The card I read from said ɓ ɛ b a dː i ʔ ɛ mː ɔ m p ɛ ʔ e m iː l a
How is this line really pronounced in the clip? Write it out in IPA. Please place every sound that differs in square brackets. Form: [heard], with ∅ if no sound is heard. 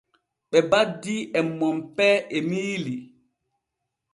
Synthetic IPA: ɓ ɛ b a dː i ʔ ɛ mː ɔ m p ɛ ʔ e m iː l [i]